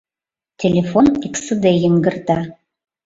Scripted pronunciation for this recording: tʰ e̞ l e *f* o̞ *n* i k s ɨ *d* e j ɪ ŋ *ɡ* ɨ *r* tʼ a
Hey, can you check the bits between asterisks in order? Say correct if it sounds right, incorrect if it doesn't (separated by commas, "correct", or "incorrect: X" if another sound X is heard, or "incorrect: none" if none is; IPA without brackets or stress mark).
correct, correct, correct, correct, correct